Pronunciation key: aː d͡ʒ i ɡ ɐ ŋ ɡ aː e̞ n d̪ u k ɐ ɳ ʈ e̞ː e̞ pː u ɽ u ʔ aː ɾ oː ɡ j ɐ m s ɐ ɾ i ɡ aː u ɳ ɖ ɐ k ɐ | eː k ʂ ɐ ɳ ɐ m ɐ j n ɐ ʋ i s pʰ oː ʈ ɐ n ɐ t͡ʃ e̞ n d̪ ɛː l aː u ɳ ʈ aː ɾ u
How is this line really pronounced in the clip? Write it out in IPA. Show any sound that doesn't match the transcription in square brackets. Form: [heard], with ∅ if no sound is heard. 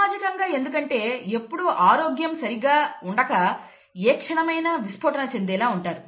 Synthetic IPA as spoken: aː d͡ʒ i [k] ɐ ŋ ɡ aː e̞ n d̪ u k ɐ ɳ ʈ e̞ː e̞ pː u ɽ u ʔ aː ɾ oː ɡ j ɐ m s ɐ ɾ i ɡ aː u ɳ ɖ ɐ k ɐ | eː k ʂ ɐ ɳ ɐ m ɐ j n ɐ ʋ i s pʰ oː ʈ ɐ n ɐ t͡ʃ e̞ n d̪ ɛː l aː u ɳ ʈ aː ɾ u